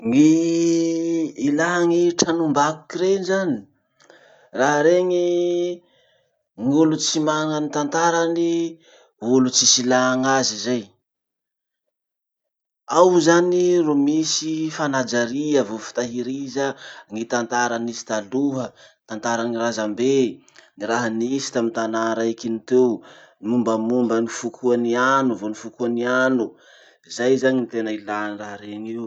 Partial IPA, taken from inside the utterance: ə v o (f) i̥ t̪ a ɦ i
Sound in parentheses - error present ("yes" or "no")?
no